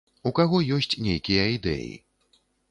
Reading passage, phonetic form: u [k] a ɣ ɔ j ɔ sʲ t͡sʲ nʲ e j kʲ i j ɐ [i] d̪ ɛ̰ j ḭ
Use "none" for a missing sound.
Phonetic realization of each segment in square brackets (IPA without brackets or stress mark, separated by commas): k, i